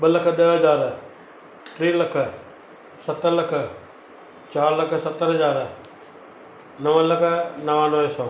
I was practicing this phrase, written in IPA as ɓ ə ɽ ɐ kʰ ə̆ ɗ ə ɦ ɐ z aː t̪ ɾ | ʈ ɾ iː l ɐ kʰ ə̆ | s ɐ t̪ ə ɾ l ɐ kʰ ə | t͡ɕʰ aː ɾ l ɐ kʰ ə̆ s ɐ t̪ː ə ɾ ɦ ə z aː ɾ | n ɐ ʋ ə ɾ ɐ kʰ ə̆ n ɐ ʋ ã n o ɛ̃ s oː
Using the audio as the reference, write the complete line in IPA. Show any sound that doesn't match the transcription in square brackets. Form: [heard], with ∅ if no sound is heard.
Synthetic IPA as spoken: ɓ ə [l] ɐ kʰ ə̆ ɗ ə ɦ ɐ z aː [∅] ɾ | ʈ ɾ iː l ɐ kʰ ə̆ | s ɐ t̪ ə ɾ l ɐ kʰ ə | [t͡ɕ] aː ɾ l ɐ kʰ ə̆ s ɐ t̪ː ə ɾ ɦ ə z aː ɾ | n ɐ ʋ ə [l] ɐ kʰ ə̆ n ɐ ʋ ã n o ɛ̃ s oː